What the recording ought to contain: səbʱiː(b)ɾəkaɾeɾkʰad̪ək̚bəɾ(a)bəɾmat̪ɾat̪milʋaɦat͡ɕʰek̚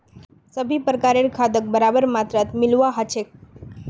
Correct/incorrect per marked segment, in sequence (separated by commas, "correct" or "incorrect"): incorrect, correct